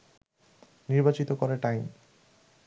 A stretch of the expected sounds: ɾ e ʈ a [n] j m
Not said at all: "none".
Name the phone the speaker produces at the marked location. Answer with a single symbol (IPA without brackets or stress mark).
none